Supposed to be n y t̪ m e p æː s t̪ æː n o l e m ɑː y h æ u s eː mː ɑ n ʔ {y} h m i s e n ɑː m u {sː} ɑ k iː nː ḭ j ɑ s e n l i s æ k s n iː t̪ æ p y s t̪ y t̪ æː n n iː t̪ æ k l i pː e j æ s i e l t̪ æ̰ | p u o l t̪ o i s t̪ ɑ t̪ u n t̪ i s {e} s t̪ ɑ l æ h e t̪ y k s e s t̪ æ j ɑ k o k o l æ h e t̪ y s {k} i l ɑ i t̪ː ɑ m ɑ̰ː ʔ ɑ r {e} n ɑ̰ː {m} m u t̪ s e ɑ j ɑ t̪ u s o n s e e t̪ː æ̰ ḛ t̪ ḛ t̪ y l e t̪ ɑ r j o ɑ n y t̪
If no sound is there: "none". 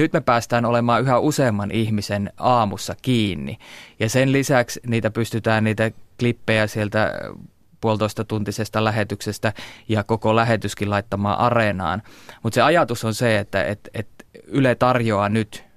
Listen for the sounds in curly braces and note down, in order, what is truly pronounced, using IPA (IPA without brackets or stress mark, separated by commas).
i, sː, e, k, e, n